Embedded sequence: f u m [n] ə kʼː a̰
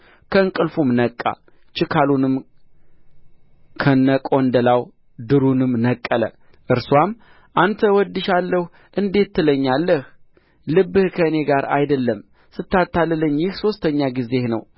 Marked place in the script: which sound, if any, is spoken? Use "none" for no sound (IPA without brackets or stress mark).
n